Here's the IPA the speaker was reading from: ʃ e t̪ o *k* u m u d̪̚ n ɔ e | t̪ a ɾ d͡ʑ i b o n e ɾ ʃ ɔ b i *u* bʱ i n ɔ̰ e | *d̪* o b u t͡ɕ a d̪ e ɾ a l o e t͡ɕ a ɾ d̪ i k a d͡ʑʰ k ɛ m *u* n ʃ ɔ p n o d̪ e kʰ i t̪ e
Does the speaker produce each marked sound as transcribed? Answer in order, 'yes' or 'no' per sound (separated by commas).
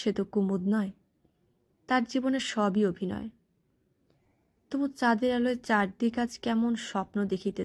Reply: yes, no, no, no